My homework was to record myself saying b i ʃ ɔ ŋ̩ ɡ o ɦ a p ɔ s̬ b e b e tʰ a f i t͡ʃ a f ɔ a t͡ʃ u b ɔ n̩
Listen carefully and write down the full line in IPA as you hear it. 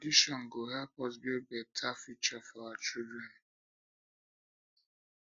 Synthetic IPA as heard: d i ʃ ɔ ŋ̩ ɡ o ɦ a p ɔ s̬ b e b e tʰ a f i t͡ʃ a f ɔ a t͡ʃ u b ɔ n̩

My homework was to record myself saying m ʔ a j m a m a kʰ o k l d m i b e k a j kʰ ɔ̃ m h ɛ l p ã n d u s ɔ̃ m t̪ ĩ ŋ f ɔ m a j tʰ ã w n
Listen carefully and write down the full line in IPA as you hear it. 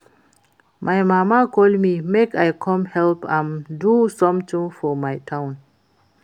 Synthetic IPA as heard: m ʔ a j m a m a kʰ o l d m i m e k a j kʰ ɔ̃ m h ɛ l p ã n d u s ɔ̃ m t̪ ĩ ŋ f ɔ m a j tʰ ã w n

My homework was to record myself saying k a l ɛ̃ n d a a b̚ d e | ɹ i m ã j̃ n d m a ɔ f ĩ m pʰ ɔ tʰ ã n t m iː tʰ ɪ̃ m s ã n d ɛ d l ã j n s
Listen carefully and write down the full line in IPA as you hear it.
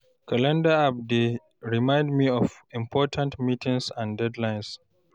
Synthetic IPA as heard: k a l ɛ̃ n d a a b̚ d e | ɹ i m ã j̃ n d m i ɔ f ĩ m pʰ ɔ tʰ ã n t m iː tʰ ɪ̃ ŋ s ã n d ɛ d l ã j n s

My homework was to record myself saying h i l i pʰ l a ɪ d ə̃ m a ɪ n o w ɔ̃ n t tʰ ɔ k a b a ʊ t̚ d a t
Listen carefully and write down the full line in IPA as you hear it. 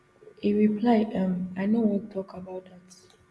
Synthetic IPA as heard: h i ɹ i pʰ l a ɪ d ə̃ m a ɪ n o w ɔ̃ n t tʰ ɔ k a b a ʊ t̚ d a t

